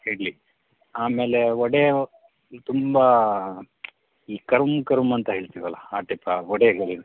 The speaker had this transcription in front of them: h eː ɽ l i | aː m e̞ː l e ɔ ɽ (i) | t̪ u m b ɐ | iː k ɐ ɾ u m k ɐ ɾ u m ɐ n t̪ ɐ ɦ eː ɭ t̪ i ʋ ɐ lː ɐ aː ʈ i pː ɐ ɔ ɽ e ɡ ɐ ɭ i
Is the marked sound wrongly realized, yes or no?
yes